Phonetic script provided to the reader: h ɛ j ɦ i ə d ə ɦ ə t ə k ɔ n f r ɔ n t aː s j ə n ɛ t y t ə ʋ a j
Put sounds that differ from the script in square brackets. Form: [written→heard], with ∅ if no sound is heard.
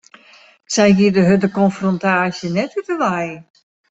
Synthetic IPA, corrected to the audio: [h→s] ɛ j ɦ i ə d ə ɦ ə [t→d] ə k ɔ n f r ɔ n t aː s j ə n ɛ t y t ə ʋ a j